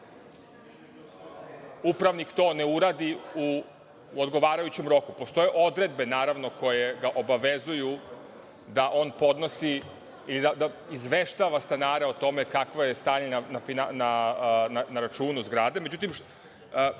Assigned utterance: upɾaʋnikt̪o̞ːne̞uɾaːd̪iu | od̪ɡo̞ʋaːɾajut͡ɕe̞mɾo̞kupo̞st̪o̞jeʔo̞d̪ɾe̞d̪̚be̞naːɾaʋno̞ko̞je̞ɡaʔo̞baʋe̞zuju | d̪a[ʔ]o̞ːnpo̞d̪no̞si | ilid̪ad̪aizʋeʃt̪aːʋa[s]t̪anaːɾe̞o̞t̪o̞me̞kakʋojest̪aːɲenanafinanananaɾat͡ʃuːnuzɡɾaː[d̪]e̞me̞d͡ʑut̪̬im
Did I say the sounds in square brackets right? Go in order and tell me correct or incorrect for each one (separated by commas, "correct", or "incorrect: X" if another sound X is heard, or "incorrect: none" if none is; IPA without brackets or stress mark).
correct, correct, correct